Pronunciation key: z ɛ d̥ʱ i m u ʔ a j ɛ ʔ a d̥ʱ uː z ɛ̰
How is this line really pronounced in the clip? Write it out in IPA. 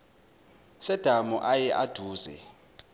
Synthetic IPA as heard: s ɛ d̥ʱ a m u ʔ a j ɛ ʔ a d̥ʱ uː z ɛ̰